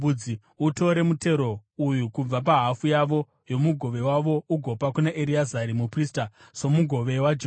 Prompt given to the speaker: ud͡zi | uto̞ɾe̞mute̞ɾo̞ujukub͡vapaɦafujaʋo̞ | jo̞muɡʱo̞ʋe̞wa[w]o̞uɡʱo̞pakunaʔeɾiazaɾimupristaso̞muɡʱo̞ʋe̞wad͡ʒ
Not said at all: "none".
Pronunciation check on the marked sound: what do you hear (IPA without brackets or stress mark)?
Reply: ʋ